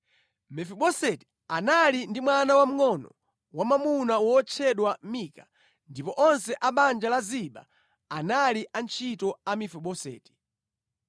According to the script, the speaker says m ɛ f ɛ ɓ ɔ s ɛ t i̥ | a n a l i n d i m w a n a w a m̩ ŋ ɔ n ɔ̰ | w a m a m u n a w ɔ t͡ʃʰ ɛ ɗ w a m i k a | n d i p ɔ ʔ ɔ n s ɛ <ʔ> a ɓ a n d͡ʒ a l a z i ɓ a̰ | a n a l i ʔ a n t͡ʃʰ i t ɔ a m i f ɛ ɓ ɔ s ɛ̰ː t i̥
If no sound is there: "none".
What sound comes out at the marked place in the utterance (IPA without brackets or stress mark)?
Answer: ʔ